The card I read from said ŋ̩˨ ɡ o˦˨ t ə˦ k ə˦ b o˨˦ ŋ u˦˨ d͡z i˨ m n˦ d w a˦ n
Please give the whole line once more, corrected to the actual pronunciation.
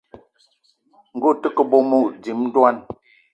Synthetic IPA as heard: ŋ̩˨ ɡ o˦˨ t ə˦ k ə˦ b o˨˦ m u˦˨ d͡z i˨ m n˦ d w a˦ n